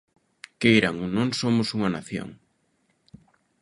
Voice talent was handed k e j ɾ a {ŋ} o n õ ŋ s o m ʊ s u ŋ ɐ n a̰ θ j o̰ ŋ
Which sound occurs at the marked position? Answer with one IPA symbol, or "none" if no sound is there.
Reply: ŋ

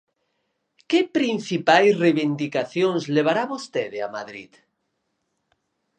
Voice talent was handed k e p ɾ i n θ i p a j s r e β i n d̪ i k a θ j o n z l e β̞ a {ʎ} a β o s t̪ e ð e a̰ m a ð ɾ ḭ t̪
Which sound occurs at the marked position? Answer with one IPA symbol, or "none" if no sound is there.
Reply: ɾ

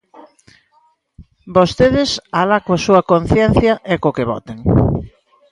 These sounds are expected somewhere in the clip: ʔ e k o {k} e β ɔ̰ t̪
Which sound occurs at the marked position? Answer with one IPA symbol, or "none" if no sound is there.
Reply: k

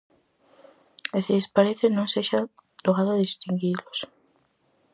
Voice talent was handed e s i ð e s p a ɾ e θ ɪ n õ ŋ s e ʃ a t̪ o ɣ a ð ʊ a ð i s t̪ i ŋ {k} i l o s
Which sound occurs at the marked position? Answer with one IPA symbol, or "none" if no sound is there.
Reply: ɡ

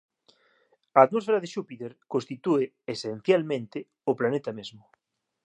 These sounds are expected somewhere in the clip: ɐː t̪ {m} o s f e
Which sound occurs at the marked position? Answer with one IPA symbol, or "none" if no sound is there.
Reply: m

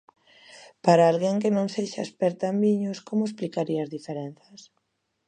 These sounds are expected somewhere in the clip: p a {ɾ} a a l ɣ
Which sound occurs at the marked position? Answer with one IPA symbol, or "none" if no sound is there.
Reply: ɾ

